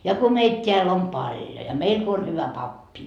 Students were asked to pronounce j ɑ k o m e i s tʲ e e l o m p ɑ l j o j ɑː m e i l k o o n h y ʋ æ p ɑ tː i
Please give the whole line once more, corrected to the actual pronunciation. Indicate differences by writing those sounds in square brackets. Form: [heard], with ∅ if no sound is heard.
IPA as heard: j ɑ k o m e i [t] tʲ e [æ] l o m p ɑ l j o j [ɑ] m e i l k o o n h y ʋ æ p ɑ [pː] i